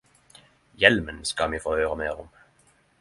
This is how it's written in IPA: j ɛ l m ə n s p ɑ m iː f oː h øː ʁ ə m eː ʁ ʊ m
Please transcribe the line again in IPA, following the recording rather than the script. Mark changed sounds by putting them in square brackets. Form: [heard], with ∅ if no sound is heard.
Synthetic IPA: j ɛ l m ə n s [k] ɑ m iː f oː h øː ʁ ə m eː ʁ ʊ m